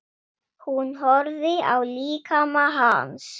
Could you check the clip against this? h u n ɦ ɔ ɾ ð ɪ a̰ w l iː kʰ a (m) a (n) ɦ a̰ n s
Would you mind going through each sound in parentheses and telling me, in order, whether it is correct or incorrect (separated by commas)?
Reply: correct, incorrect